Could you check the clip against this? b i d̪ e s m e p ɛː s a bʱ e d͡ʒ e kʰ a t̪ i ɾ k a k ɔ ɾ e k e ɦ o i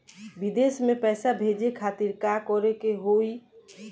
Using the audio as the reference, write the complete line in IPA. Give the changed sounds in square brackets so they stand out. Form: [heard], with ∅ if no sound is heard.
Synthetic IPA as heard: b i d̪ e s m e p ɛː s a bʱ e d͡ʒ e kʰ a t̪ i ɾ k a k ɔ ɾ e k e ɦ o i